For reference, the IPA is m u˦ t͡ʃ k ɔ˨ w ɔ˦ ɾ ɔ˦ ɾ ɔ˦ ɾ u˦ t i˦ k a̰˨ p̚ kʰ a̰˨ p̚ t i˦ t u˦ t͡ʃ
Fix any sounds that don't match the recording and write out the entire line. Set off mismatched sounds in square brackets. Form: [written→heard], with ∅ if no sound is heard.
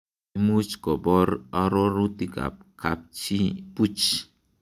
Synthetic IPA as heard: m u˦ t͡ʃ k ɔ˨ [w→b] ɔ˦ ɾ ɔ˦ ɾ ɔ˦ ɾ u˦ t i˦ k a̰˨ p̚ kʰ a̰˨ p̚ [t→t͡ʃ] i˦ [t→p] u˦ t͡ʃ